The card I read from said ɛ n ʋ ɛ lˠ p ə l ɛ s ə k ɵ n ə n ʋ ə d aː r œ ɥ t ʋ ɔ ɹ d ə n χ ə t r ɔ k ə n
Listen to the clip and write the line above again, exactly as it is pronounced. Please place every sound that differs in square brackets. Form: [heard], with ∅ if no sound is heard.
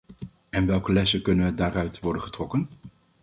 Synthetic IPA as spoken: ɛ n ʋ ɛ lˠ [k] ə l ɛ s ə k ɵ n ə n ʋ ə d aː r œ ɥ t ʋ ɔ ɹ d ə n χ ə t r ɔ k ə n